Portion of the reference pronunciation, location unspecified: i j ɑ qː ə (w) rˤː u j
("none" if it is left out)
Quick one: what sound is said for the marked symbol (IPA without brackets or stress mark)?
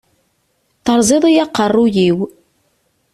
none